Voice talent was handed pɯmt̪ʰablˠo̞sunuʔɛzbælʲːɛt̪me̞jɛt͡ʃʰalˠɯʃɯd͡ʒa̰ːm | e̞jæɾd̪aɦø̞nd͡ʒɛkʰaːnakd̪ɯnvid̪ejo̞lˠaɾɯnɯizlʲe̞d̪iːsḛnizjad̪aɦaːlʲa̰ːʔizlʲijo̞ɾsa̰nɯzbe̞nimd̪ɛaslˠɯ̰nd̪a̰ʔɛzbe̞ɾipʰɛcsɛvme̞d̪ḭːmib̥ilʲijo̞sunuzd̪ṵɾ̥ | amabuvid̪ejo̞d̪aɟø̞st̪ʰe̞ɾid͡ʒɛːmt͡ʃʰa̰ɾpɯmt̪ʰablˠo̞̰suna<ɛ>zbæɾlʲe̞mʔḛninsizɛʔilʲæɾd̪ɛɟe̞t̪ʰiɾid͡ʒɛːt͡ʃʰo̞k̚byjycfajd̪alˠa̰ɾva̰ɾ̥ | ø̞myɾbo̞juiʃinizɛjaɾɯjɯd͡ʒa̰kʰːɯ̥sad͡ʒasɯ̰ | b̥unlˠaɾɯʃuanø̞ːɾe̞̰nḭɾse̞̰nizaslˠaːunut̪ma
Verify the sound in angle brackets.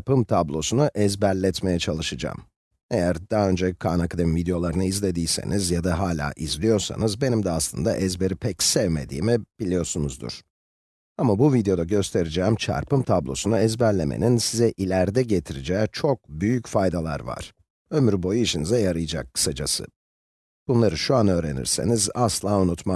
correct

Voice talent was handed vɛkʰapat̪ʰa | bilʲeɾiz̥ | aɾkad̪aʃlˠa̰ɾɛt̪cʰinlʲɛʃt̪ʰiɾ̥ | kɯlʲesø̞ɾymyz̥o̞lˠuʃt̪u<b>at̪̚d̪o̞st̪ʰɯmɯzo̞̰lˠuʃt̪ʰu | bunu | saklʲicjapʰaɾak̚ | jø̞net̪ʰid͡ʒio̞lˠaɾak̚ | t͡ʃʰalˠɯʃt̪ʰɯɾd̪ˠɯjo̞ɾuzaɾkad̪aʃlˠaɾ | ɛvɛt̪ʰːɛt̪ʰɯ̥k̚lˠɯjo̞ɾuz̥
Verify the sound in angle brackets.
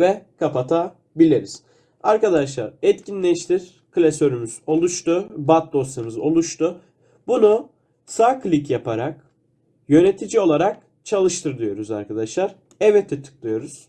correct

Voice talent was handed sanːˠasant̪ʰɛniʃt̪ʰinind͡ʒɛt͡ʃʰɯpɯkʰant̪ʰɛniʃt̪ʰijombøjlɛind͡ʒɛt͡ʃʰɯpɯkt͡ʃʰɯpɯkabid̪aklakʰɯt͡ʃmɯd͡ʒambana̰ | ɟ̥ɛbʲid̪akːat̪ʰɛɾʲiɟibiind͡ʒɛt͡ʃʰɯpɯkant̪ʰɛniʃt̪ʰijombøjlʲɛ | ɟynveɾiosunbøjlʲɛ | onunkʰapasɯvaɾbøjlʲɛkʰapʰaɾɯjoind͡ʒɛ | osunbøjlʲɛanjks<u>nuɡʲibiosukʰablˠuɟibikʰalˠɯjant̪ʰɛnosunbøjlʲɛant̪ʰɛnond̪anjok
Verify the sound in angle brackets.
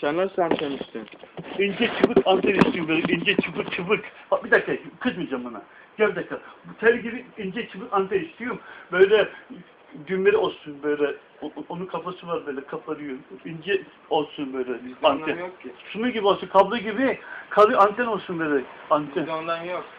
correct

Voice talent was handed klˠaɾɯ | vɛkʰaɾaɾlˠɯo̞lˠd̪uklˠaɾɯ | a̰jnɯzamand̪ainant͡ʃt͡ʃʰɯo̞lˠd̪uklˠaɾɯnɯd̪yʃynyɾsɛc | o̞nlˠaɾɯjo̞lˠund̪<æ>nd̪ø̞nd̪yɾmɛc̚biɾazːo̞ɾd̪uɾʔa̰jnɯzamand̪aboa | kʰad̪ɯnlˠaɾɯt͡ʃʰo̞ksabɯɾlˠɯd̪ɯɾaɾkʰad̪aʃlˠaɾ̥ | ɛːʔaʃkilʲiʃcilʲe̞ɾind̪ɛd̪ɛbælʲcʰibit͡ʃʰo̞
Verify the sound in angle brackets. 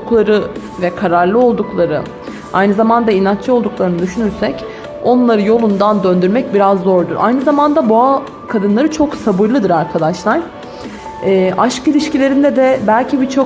incorrect: a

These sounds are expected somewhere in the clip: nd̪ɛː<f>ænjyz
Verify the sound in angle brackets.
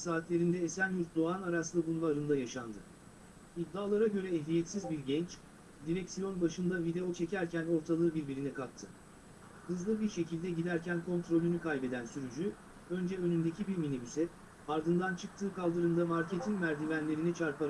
incorrect: s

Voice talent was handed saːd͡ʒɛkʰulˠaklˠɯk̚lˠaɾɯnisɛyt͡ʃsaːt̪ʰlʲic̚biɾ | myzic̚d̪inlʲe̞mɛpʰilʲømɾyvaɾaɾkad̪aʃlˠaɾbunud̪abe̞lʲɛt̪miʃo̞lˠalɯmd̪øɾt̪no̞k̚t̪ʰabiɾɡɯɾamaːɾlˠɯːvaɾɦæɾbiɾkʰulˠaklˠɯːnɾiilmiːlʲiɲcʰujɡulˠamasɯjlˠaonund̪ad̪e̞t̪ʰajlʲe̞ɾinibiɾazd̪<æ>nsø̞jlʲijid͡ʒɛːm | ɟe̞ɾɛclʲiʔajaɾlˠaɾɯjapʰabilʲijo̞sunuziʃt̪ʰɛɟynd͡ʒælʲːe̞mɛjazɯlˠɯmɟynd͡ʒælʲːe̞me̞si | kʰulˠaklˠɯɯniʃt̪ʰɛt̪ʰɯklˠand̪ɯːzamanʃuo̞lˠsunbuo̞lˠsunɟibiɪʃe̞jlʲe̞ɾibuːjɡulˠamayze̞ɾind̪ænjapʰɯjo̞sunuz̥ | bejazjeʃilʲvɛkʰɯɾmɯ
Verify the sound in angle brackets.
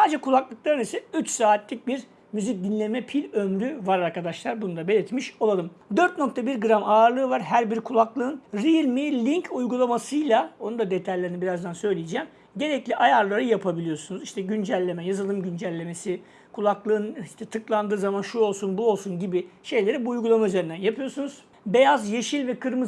incorrect: a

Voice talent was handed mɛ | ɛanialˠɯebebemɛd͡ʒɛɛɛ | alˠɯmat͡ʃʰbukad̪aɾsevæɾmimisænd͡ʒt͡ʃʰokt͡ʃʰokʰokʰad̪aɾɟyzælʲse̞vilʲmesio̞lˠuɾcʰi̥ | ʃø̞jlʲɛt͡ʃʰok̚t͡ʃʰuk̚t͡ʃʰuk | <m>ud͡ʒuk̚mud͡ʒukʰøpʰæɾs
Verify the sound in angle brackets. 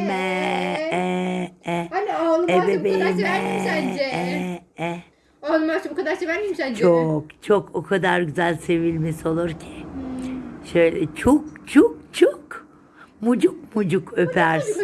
correct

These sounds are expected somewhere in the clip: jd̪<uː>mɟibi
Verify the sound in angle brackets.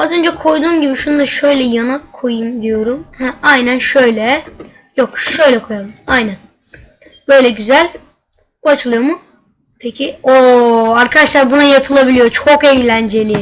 correct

